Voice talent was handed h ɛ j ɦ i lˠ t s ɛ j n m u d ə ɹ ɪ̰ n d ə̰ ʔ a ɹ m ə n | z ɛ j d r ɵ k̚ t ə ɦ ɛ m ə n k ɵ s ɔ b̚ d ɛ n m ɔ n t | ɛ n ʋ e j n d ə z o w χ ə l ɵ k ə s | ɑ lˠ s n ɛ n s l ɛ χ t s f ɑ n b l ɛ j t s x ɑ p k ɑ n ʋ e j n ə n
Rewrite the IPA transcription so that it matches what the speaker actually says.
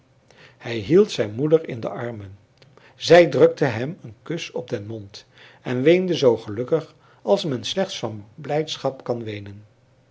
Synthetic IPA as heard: h ɛ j ɦ i lˠ t s ɛ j n m u d ə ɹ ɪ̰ n d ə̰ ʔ ɑ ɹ m ə n | z ɛ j d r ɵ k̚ t ə ɦ ɛ m ə n k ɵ s ɔ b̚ d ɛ n m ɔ n t | ɛ n ʋ e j n d ə z o w χ ə l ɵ k ə χ | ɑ lˠ s m ɛ n s l ɛ χ t s f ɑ n b l ɛ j t s χ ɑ p k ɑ n ʋ e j n ə n